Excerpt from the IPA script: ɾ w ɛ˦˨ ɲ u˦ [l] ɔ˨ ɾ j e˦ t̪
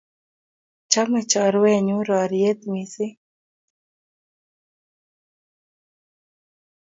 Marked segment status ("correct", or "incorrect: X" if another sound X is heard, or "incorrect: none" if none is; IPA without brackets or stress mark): incorrect: ɾ